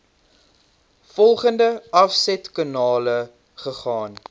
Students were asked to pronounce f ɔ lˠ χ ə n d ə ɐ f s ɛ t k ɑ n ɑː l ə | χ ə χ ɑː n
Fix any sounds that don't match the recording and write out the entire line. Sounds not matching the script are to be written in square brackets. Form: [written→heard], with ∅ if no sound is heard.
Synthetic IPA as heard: f ɔ lˠ χ ə n d ə ɐ f s ɛ t k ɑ n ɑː l ə | χ ə χ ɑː n